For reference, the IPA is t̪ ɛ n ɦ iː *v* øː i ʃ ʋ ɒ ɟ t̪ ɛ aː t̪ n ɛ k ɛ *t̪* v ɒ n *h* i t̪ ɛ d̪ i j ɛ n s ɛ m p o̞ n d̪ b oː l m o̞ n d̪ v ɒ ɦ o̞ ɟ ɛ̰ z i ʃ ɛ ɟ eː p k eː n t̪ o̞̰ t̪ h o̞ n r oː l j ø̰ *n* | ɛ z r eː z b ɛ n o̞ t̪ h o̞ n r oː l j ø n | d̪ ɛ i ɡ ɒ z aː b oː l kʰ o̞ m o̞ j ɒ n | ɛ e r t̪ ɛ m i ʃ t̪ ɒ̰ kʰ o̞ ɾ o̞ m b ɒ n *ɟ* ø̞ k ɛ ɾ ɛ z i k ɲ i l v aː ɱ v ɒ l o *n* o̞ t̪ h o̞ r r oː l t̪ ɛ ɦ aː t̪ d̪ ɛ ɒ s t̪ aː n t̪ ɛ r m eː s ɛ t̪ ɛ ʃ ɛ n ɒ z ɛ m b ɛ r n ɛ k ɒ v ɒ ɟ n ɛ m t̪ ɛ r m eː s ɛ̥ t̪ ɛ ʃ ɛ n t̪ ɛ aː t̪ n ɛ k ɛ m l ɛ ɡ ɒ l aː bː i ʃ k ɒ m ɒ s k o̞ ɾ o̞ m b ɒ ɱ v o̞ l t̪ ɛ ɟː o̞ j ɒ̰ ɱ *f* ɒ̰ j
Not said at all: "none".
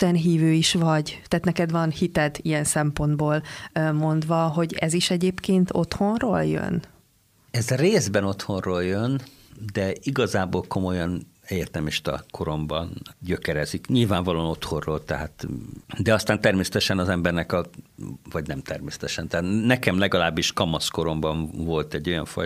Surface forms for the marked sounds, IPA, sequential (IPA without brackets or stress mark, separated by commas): v, d̪, h, n, ɟ, n, f